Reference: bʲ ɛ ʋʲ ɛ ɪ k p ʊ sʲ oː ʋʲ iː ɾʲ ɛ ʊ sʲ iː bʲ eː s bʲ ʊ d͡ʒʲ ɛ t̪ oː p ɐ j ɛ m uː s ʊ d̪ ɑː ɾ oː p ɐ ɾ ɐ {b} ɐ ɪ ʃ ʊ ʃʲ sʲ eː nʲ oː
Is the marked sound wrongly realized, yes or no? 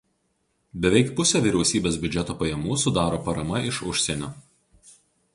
yes